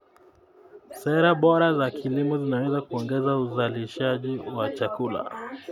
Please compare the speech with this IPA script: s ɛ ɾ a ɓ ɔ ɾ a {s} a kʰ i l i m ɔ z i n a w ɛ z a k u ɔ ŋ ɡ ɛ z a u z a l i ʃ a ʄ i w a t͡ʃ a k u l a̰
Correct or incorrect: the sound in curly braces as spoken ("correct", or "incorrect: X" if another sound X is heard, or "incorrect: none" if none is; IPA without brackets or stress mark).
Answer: incorrect: z